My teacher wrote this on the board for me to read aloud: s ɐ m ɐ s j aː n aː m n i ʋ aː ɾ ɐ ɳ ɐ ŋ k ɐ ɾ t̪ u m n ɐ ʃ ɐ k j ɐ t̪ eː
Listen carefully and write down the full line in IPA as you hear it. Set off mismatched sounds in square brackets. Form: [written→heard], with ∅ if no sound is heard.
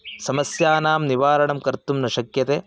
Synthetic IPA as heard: s ɐ m ɐ s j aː n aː m n i ʋ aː ɾ ɐ ɳ ɐ [ŋ→m] k ɐ ɾ t̪ u m n ɐ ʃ ɐ k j ɐ t̪ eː